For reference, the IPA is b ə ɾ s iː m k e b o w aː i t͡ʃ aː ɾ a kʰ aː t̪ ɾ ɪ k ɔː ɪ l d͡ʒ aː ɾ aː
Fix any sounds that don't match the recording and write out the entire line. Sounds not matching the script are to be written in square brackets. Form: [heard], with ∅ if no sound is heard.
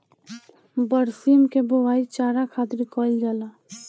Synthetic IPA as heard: b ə ɾ s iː m k e b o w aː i t͡ʃ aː ɾ a kʰ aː t̪ ɾ [i] k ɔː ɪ l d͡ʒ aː [l] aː